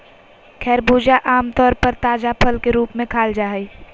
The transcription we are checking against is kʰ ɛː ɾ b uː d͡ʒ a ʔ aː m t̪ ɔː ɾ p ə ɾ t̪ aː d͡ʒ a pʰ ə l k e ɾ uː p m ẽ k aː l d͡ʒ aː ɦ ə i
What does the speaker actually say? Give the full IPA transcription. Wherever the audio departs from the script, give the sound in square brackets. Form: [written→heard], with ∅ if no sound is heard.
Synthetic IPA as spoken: kʰ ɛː ɾ b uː d͡ʒ a ʔ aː m t̪ ɔː ɾ p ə ɾ t̪ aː d͡ʒ a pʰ ə l k e ɾ uː p m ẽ [k→kʰ] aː l d͡ʒ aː ɦ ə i